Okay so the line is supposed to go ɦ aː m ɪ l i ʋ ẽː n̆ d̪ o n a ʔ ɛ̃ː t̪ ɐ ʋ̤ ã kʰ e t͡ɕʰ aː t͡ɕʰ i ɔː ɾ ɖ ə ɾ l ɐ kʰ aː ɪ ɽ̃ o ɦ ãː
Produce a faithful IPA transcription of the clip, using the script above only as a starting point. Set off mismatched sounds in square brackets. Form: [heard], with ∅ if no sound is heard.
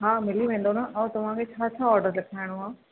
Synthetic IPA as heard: ɦ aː m ɪ l i ʋ ẽː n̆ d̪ o n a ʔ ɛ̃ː t̪ ɐ ʋ̤ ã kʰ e t͡ɕʰ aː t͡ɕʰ [a] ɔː ɾ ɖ ə ɾ l ɐ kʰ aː ɪ ɽ̃ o ɦ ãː

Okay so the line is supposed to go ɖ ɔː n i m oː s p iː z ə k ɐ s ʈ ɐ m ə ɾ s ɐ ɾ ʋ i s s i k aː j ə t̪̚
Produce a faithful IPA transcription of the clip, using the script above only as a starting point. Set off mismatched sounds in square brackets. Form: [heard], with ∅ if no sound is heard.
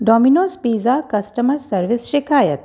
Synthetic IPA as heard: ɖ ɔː [m] i [n] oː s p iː z [a] k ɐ s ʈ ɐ m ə ɾ s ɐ ɾ ʋ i s [ʃ] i k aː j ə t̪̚

